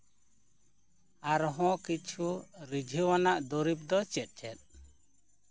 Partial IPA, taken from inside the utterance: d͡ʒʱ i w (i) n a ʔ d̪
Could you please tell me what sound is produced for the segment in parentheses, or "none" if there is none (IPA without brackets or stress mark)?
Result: a